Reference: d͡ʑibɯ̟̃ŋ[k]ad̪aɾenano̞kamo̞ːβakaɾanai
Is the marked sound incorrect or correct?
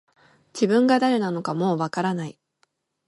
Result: incorrect